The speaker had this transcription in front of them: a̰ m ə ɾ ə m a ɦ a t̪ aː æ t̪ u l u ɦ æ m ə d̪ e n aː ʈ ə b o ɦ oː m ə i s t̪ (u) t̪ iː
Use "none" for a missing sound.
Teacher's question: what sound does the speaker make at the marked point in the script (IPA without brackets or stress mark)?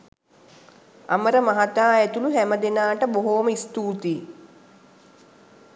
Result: uː